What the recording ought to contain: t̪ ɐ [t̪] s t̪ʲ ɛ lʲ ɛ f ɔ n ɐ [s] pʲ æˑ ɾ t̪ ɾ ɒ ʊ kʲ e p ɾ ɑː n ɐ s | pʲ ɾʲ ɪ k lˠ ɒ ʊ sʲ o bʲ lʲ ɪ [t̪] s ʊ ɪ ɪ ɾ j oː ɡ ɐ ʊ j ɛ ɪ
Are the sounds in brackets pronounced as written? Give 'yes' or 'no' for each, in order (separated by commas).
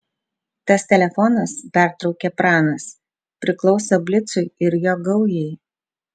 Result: no, yes, yes